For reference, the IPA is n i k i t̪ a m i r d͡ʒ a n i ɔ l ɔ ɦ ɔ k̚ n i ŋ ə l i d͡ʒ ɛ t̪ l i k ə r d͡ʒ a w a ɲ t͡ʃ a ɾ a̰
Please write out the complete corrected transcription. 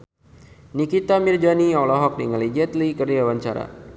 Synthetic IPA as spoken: n i k i t̪ a m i r d͡ʒ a n i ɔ l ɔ ɦ ɔ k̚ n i ŋ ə l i d͡ʒ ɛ t̪ l i k ə r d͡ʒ a w a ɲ t͡ʃ a ɾ a̰